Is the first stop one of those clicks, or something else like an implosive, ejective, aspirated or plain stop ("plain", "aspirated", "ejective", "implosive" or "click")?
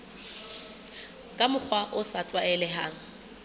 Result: ejective